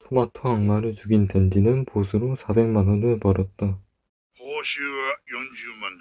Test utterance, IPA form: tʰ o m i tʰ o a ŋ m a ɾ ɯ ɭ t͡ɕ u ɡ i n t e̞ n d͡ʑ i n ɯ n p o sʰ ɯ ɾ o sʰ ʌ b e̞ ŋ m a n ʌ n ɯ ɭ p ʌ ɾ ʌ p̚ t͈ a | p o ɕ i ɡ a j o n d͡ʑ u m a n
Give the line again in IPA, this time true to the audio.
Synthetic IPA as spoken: tʰ o m a tʰ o a ŋ m a ɾ ɯ ɭ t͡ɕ u ɡ i n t e̞ n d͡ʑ i n ɯ n p o sʰ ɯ ɾ o sʰ a b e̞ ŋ m a n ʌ n ɯ ɭ p ʌ ɾ ʌ t̚ t͈ a | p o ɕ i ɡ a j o n d͡ʑ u m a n